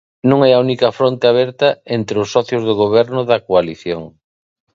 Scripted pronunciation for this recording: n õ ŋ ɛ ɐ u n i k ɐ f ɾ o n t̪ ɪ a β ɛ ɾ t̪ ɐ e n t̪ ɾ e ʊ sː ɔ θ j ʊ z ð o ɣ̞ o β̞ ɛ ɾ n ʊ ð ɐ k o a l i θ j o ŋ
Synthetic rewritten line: n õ ŋ ɛ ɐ u n i k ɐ f ɾ o n t̪ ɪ a β ɛ ɾ t̪ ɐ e n t̪ ɾ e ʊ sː ɔ θ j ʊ z ð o ɣ̞ o β̞ ɛ ɾ n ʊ ð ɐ k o a l i θ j o ŋ